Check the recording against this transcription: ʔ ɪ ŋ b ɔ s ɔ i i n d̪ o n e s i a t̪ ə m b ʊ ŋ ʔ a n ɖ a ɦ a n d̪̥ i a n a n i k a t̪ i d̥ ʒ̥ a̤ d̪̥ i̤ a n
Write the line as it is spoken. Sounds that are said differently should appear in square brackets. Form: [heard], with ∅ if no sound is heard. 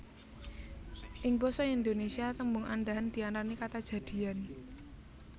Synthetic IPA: ʔ ɪ ŋ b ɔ s ɔ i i n d̪ o n e s i a t̪ ə m b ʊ ŋ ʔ a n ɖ a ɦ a n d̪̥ i a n a n i k a t̪ [a] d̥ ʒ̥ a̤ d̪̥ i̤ a n

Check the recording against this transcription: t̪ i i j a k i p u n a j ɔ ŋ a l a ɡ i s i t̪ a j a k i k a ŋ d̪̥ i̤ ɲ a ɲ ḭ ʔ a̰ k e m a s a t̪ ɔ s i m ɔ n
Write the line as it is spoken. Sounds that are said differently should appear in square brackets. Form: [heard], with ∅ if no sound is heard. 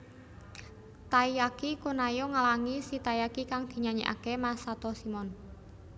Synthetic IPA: t̪ [a] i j a k i [k] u n a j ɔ ŋ a l a [ŋ] i s i t̪ a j a k i k a ŋ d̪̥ i̤ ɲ a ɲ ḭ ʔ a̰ k e m a s a t̪ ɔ s i m ɔ n

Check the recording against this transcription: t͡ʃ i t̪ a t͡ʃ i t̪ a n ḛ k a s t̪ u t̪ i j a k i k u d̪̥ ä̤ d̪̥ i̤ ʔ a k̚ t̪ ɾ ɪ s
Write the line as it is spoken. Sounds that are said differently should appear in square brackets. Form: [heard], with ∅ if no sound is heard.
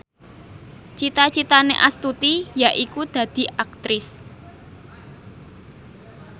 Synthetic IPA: t͡ʃ i t̪ a t͡ʃ i t̪ a n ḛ [ʔ] a s t̪ u t̪ i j a [ʔ] i k u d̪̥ ä̤ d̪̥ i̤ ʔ a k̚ t̪ ɾ ɪ s

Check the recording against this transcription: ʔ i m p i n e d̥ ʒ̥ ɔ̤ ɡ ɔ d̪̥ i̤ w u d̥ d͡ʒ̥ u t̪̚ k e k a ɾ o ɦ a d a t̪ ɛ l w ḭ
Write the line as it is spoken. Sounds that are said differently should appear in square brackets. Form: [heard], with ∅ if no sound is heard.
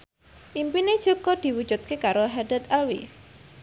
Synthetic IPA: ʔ i m p i n e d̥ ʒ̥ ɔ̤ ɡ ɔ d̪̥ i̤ w u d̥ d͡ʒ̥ u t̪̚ k e k a ɾ o ɦ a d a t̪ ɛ l w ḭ

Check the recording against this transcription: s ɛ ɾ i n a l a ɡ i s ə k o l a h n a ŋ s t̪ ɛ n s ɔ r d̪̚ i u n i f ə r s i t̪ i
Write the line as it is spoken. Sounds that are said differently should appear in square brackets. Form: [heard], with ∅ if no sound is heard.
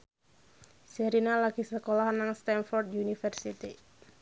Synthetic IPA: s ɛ ɾ i n a l a ɡ i s ə k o l a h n a ŋ s t̪ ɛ n [f] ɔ r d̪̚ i u n i f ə r s i t̪ i

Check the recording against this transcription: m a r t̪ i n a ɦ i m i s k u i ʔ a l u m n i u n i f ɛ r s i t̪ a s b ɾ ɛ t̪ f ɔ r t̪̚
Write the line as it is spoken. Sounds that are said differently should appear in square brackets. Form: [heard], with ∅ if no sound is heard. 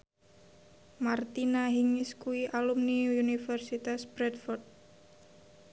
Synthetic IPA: m a r t̪ i n a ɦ i [ŋ] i s k u i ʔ a l u m n i u n i f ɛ r s i t̪ a s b ɾ ɛ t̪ f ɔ r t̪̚

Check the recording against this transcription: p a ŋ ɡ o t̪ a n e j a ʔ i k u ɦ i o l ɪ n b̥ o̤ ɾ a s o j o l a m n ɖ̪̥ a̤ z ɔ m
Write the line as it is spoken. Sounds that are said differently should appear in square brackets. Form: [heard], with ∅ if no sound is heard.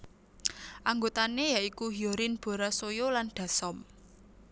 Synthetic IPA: [ʔ] a ŋ ɡ o t̪ a n e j a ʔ i k u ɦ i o [ɾ] ɪ n b̥ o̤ ɾ a s o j o l a [∅] n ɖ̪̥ a̤ [s] ɔ m

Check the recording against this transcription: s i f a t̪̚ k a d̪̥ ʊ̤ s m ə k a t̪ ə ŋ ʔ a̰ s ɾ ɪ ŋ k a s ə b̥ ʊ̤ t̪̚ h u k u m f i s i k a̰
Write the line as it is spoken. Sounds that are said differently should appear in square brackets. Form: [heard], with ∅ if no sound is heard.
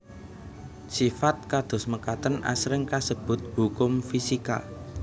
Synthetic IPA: s i f a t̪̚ k a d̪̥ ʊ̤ s m ə k a t̪ ə [n] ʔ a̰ s ɾ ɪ ŋ k a s ə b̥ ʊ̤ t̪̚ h u k [ʊ] m f i s i k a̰

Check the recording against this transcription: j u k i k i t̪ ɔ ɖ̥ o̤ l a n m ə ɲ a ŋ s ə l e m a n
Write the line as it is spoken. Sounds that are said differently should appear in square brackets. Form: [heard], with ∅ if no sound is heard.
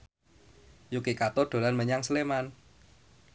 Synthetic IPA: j u k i k [a] t̪ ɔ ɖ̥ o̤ l a n m ə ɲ a ŋ s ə l e m a n

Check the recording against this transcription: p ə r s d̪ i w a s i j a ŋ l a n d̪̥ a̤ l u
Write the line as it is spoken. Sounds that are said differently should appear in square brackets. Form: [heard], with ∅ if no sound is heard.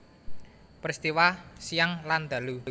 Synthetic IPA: p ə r s [t̪] i w a s i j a ŋ l a n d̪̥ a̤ l u

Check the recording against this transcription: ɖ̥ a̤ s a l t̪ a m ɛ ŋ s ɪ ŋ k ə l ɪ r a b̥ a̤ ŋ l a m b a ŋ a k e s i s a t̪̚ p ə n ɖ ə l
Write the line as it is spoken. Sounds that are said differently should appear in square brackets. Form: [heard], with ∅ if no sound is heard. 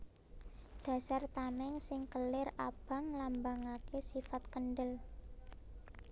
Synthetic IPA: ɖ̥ a̤ s a [r] t̪ a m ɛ ŋ s ɪ ŋ k ə l ɪ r a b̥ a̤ ŋ l a m b a ŋ a k e s i [f] a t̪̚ [k] ə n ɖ ə l

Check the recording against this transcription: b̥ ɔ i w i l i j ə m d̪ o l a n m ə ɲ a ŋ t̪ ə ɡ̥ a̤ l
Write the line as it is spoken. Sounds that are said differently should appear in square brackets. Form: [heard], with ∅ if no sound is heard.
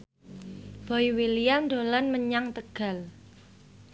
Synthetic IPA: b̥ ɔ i w i l i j [a] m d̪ o l a n m ə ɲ a ŋ t̪ ə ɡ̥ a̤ l

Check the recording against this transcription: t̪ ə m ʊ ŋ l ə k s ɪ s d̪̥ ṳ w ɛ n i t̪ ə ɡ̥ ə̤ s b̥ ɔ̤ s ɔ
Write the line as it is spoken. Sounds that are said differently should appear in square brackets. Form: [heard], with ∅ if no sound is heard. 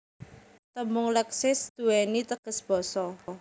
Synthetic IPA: t̪ ə m ʊ ŋ l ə k s ɪ s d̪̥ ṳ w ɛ n i t̪ ə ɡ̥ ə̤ s b̥ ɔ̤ s ɔ

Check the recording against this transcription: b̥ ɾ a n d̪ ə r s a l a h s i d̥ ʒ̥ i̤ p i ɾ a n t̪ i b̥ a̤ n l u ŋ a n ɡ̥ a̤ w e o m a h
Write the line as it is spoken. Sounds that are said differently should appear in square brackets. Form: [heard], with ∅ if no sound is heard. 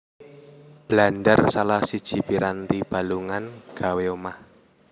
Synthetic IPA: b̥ [l] a n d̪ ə r s a l a h s i d̥ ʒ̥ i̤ p i ɾ a n t̪ i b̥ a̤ [∅] l u ŋ a n ɡ̥ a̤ w e o m a h

